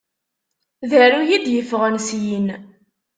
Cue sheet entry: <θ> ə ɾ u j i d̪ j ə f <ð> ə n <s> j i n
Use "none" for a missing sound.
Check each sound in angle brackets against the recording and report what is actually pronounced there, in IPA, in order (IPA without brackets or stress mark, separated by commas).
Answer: ð, ʁ, s